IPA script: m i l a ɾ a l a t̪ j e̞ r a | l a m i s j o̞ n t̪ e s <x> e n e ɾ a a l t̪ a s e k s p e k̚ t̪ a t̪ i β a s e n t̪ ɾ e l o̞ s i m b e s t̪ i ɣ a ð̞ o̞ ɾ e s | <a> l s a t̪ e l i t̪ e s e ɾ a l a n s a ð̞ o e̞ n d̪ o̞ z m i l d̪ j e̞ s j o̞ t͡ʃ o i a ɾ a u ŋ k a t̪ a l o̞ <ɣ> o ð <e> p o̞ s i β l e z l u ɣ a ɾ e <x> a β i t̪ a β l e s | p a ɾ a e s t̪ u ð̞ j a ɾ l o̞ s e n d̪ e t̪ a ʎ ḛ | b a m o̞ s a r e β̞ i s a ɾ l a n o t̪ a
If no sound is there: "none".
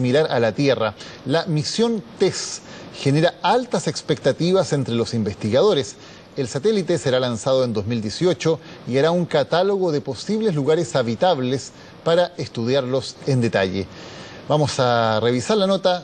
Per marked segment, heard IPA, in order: x, e, ɣ, e, s

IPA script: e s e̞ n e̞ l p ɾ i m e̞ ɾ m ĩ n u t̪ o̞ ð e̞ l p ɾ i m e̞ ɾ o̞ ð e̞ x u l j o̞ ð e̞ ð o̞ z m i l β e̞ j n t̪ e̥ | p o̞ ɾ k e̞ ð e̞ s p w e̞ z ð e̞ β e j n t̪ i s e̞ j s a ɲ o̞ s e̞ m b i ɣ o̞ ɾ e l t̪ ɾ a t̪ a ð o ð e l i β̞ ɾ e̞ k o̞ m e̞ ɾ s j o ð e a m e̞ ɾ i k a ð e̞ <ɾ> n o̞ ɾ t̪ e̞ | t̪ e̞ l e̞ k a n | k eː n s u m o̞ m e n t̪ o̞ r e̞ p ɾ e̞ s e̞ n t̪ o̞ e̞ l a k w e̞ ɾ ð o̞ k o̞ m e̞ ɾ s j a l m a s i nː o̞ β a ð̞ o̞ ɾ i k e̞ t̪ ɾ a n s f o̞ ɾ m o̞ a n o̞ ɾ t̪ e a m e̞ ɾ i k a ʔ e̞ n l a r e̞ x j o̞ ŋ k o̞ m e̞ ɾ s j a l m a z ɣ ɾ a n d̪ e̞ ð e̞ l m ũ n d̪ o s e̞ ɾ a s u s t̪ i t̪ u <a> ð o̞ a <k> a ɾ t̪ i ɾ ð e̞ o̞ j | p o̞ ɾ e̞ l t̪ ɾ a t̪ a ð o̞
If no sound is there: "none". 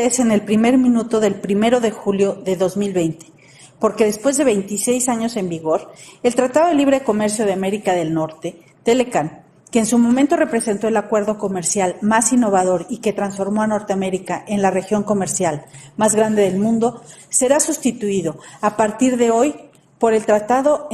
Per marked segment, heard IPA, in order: l, i, p

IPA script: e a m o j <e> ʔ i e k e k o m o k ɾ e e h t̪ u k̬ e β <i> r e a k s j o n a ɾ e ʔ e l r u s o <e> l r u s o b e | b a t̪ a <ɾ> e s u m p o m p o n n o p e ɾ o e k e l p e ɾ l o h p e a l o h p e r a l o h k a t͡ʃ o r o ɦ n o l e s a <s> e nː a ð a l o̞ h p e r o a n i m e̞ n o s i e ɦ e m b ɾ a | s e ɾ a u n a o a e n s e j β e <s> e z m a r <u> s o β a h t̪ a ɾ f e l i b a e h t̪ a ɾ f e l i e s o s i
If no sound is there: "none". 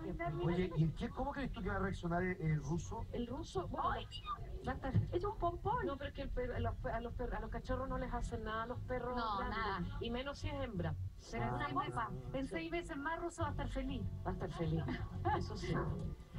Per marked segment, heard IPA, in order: e, a, e, ɾ, s, s, u

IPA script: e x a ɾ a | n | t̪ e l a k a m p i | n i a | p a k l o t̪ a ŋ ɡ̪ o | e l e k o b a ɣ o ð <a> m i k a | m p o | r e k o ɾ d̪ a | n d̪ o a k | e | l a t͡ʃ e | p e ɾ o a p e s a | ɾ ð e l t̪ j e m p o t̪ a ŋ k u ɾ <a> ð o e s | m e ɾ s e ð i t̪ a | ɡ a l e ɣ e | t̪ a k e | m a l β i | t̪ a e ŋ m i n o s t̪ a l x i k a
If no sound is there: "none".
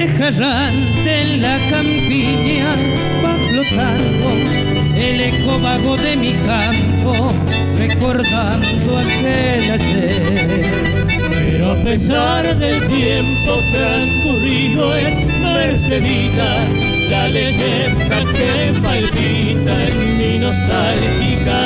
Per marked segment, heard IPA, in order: e, i

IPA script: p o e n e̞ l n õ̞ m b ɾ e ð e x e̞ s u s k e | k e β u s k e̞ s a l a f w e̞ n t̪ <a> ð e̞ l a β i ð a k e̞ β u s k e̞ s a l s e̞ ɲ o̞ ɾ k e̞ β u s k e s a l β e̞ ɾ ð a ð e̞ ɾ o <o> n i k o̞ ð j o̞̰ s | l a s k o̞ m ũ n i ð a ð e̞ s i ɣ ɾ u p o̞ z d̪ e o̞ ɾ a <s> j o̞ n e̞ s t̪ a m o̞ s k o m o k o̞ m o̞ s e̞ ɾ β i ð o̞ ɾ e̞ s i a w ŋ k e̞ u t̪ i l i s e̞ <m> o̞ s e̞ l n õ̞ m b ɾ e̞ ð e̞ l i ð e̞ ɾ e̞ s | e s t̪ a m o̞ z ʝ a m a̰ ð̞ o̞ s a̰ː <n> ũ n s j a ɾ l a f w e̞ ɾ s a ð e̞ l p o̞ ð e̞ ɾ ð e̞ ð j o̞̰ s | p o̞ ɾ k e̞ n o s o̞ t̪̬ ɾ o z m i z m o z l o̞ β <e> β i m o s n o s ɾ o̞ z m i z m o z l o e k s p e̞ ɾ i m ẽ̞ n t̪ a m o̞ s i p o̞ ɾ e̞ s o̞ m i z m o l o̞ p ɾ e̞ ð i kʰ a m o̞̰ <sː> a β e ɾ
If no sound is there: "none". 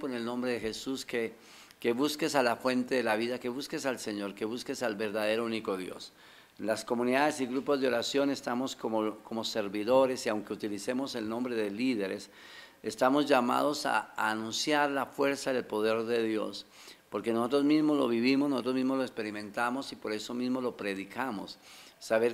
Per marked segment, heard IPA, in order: e, u, s, m, n, i, sː

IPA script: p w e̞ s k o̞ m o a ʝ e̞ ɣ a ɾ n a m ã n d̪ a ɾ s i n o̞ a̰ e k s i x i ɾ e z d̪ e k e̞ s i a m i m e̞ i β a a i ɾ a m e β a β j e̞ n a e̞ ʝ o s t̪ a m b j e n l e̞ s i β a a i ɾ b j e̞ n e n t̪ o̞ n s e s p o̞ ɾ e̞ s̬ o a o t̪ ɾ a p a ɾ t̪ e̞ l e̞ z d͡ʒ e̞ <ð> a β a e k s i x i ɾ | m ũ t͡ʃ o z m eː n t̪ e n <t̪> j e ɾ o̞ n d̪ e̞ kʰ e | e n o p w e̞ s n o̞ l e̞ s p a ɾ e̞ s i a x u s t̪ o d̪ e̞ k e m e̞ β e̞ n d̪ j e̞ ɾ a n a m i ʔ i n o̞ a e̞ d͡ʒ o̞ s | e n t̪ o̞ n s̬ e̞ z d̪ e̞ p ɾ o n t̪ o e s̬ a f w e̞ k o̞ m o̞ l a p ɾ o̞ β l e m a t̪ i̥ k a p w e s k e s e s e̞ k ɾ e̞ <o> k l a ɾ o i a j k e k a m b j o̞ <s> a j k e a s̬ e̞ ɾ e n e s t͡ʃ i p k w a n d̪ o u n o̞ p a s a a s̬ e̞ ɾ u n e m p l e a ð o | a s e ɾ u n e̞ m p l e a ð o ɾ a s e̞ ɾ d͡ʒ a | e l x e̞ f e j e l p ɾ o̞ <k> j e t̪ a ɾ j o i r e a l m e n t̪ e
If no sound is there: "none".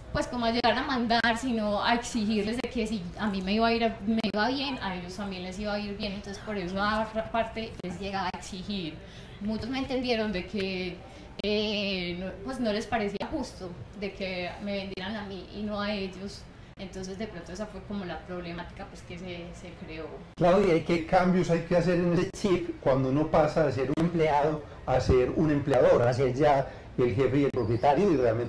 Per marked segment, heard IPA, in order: ɣ, d̪, o, s, p

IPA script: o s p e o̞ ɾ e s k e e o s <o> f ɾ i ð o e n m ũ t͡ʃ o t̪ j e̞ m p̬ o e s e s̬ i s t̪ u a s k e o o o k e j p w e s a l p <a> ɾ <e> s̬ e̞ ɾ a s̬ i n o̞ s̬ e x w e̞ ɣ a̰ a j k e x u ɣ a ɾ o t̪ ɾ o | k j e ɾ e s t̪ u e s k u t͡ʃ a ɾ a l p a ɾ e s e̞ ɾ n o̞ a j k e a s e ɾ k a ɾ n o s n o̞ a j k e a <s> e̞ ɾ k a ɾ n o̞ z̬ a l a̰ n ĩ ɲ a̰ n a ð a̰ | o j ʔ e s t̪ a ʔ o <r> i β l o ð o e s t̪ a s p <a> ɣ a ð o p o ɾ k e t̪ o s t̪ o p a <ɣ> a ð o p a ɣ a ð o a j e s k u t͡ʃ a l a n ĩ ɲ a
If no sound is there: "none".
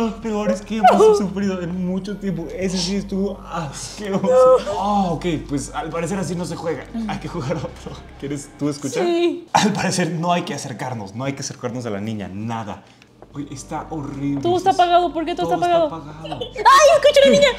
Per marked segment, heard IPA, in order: u, a, e, s, r, a, ɣ

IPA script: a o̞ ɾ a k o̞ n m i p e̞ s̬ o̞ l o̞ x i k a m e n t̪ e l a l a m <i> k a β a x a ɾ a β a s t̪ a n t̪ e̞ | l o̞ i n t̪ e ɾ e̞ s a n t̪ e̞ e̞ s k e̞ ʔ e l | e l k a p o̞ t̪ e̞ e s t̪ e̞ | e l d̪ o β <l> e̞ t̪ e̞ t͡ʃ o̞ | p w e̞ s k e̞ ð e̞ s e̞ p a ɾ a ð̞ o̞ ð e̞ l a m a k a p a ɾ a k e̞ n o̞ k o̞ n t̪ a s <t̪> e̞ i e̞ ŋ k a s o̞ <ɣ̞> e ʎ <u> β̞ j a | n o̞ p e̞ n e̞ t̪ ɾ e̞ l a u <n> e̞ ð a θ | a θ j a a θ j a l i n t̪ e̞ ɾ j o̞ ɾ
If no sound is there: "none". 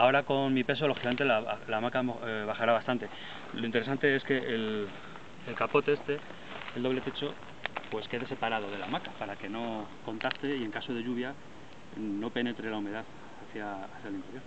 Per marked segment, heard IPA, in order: a, l, t̪, ð̞, u, m

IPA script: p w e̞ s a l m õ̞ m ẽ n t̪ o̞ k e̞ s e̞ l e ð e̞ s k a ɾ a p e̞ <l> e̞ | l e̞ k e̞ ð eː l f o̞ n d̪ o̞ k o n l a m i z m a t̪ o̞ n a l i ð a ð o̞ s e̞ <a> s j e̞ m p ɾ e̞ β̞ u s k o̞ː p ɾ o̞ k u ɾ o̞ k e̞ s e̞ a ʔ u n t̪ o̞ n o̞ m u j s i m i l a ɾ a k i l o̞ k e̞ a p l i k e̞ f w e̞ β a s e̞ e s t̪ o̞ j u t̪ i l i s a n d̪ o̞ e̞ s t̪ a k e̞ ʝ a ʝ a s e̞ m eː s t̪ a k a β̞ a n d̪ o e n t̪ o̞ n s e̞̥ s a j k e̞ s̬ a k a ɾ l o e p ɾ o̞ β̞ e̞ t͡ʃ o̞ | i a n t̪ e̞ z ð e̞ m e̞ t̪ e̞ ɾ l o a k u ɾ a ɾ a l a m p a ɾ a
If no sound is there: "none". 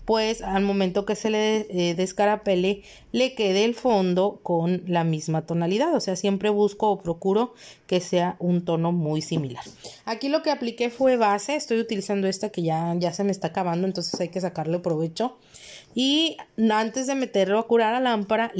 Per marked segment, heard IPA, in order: l, a

